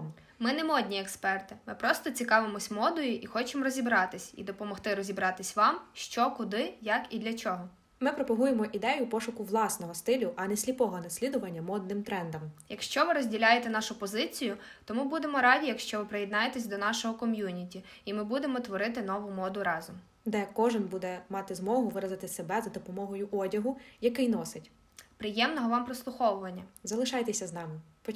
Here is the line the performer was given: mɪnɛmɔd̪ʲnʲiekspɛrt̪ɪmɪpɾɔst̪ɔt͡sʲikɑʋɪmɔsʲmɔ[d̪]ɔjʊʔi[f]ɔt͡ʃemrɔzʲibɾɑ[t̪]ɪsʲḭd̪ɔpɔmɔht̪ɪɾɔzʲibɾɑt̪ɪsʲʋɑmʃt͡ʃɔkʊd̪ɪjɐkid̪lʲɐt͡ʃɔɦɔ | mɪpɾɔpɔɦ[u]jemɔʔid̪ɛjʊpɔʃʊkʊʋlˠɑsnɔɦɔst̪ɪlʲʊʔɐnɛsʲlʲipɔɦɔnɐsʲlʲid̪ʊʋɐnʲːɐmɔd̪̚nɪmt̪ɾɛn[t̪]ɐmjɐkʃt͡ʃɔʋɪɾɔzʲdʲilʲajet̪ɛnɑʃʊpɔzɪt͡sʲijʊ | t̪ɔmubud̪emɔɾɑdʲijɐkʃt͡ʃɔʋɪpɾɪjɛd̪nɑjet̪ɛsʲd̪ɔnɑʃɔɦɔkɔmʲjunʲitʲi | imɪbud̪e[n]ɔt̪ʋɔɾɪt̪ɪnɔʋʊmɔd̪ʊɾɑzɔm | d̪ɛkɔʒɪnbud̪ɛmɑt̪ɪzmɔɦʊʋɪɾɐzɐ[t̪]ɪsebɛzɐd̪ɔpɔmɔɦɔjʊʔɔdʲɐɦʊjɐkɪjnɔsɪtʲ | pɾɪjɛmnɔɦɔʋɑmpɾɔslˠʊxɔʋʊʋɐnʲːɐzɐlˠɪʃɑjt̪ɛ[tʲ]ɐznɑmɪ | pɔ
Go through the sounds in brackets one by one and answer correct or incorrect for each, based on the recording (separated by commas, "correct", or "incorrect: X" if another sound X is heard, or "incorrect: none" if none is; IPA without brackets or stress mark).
correct, incorrect: x, correct, correct, incorrect: d̪, incorrect: m, correct, incorrect: sʲ